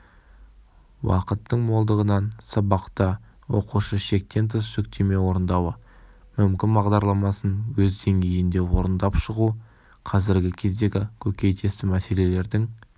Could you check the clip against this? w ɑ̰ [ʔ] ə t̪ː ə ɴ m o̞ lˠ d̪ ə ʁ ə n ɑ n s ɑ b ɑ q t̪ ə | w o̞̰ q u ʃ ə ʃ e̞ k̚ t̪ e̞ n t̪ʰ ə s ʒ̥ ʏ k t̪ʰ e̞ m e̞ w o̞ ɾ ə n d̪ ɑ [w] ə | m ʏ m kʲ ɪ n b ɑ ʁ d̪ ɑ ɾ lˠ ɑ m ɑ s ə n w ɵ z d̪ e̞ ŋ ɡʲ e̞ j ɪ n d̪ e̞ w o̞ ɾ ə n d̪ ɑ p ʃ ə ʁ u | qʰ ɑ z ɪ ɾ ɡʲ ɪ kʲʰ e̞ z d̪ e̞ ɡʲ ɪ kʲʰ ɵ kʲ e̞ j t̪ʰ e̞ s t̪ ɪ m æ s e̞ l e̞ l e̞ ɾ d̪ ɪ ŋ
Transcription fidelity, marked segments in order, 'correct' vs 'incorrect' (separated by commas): incorrect, correct